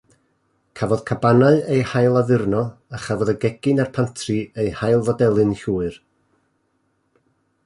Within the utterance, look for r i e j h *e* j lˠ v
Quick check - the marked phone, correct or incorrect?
incorrect